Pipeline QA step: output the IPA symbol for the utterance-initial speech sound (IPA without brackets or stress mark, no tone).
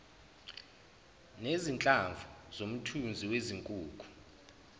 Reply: n